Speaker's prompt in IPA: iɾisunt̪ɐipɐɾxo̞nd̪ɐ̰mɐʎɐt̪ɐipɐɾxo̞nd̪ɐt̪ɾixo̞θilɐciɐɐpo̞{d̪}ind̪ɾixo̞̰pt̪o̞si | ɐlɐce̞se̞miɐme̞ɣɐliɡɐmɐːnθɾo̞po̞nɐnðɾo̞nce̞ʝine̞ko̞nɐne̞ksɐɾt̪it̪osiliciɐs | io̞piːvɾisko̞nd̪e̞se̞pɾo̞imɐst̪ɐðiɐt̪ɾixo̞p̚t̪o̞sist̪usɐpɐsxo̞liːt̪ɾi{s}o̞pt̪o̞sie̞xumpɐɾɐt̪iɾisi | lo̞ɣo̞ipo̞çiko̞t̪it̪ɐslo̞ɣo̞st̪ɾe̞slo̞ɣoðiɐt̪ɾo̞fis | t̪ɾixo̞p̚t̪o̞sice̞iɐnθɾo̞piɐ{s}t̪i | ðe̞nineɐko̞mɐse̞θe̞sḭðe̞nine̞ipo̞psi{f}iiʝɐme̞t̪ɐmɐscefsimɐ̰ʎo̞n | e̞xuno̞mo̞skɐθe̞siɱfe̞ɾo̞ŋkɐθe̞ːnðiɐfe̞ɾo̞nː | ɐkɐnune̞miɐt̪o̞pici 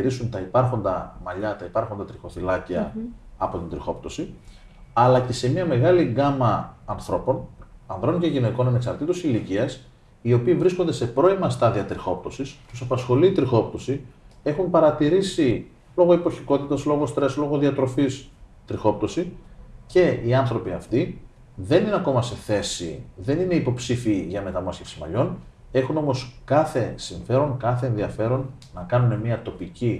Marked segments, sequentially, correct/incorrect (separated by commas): incorrect, incorrect, incorrect, correct